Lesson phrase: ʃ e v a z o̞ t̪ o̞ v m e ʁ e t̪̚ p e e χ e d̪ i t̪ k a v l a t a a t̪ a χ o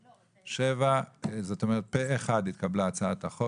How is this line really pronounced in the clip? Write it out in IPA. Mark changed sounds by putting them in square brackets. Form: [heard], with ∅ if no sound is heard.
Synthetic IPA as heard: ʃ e v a z o̞ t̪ o̞ [∅] m e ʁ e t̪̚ p e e χ [a] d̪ i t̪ k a [b] l a [t͡s] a a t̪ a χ o